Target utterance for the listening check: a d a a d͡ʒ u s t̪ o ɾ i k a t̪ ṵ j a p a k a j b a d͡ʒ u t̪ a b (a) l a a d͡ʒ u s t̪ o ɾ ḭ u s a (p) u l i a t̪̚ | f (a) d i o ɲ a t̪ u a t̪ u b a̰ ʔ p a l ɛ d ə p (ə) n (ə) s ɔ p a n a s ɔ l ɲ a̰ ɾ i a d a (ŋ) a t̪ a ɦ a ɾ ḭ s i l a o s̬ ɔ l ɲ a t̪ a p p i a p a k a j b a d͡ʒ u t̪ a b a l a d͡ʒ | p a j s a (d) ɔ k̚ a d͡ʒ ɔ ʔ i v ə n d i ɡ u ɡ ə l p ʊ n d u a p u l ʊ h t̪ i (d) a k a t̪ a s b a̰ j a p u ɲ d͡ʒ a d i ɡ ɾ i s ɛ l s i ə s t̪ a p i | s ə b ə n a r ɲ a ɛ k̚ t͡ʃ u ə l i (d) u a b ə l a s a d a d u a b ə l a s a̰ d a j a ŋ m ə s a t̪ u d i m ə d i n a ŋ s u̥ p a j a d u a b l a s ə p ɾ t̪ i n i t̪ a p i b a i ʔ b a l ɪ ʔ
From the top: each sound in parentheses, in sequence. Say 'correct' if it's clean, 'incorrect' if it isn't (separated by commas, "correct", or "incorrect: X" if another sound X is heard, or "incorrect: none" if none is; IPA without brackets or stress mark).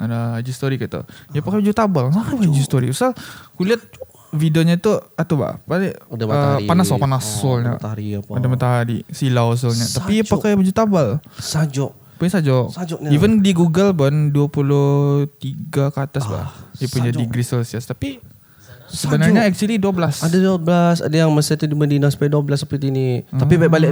correct, incorrect: k, incorrect: i, incorrect: a, incorrect: a, incorrect: m, incorrect: d͡ʒ, incorrect: ɡ, correct